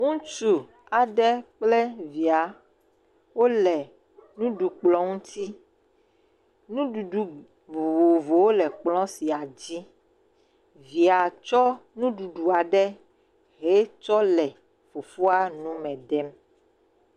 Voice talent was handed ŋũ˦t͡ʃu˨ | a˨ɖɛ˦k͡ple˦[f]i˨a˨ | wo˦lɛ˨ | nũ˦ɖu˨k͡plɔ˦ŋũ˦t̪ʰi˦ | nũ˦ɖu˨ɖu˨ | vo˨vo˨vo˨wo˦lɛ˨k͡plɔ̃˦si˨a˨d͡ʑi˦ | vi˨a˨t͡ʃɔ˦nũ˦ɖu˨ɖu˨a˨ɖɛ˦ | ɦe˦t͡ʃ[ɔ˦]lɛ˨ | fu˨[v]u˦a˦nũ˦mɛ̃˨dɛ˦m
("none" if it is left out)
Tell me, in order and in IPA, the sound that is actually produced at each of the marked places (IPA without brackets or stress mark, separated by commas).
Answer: v, ɔ˦, f